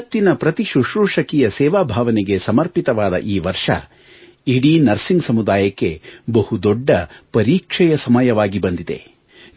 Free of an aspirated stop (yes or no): yes